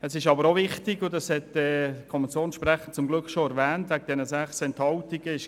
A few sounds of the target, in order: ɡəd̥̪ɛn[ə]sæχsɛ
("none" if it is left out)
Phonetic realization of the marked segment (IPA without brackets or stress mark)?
ə